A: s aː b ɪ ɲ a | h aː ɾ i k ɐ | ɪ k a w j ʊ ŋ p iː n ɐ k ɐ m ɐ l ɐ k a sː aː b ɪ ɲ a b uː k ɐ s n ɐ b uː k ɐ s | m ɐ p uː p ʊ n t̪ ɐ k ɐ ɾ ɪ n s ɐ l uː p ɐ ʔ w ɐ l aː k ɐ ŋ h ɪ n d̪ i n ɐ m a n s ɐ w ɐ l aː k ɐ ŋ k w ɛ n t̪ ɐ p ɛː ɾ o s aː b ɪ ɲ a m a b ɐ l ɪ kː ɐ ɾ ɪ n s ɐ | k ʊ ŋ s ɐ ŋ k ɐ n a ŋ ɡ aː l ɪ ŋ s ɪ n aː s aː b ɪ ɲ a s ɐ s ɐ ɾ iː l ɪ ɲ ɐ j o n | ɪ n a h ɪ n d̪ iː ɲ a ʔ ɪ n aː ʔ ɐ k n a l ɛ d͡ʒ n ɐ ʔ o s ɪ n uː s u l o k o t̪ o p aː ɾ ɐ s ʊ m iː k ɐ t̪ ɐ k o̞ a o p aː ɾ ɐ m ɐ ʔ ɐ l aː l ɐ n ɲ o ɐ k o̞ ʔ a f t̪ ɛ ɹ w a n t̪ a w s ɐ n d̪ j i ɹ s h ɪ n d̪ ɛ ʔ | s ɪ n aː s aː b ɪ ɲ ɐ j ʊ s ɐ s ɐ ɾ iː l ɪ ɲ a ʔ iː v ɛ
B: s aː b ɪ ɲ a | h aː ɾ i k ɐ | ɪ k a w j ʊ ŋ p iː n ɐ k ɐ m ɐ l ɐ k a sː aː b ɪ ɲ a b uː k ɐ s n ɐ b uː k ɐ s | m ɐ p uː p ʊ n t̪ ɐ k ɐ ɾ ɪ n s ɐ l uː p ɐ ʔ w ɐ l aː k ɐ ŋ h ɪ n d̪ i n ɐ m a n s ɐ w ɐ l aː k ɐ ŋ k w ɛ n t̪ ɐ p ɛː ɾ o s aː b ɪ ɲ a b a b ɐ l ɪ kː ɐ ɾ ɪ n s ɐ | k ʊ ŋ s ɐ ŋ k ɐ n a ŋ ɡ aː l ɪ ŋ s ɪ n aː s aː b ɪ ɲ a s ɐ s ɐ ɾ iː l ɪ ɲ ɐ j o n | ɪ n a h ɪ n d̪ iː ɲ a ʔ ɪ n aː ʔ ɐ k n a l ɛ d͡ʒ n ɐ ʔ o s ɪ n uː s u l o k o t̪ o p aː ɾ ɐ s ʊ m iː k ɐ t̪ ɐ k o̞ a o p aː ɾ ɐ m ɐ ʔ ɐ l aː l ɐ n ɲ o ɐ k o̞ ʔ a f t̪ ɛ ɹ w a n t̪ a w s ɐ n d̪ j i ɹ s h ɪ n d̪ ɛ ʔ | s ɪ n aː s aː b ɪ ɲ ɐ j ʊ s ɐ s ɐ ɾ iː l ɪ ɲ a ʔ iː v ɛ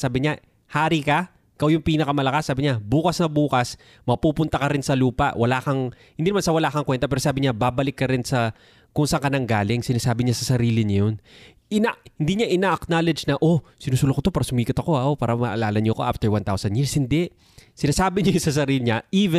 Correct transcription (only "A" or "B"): B